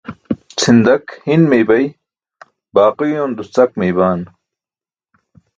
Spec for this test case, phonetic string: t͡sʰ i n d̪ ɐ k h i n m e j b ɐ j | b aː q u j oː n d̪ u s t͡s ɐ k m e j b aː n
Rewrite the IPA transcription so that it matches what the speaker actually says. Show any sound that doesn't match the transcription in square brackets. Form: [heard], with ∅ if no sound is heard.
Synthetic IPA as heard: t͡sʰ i n d̪ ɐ k h i n m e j b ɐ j | b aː q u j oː n d̪ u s t͡s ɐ k m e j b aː n